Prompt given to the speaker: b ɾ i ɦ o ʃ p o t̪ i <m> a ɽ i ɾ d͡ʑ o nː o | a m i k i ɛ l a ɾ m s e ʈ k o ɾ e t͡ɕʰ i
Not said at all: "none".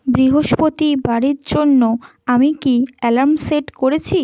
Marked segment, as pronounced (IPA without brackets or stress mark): b